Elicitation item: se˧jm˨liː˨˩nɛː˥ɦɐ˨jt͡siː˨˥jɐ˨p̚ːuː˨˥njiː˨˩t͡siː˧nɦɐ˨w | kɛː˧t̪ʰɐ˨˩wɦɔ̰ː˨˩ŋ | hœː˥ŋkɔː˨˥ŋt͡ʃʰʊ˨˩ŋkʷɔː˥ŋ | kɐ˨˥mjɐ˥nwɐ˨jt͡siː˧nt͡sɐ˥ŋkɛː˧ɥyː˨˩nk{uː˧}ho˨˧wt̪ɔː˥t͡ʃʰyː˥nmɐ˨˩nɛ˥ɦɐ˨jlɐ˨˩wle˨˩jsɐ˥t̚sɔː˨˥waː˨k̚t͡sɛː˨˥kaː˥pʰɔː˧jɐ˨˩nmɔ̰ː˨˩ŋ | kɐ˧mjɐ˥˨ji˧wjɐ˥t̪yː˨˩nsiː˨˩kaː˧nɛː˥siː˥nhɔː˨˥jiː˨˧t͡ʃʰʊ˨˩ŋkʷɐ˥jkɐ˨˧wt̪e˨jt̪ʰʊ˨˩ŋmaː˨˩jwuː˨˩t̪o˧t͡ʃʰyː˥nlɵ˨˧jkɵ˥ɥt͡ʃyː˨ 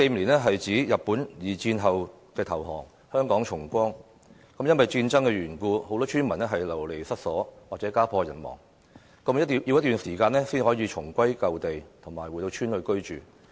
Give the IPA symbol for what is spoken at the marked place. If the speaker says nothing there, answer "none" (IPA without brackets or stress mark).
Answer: uː˧